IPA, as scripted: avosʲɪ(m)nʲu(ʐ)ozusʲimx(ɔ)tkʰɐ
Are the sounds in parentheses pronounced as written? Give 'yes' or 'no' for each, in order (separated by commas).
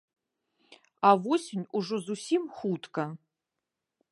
no, yes, no